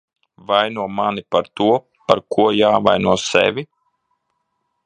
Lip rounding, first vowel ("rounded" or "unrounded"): unrounded